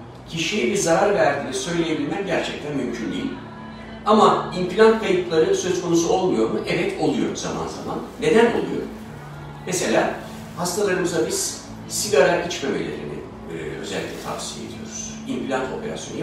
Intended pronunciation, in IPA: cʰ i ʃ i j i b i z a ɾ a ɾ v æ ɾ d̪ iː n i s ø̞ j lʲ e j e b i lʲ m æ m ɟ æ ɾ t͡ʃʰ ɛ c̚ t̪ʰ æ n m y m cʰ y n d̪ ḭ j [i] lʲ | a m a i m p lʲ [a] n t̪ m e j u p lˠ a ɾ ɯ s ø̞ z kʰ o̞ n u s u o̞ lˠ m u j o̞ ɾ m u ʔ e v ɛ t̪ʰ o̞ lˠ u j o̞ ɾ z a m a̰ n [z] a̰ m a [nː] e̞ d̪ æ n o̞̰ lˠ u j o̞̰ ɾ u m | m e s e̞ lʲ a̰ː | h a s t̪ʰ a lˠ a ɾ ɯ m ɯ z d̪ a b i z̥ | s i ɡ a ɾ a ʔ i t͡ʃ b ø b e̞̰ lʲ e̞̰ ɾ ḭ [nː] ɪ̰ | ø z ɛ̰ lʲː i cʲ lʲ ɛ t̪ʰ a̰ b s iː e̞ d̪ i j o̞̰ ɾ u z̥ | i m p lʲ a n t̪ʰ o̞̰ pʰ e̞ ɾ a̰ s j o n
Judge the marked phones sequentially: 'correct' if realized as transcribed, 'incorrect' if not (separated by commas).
correct, correct, correct, correct, incorrect